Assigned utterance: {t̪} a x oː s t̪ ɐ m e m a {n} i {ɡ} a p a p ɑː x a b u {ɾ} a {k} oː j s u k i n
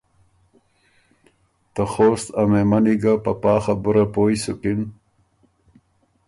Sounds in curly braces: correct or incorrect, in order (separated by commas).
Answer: correct, correct, correct, correct, incorrect